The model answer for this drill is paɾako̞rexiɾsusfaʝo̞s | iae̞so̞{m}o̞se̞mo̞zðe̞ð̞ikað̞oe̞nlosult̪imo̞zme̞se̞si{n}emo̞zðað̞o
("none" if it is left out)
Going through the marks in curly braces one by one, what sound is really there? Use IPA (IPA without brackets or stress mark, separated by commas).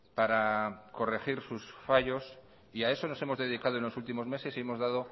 n, none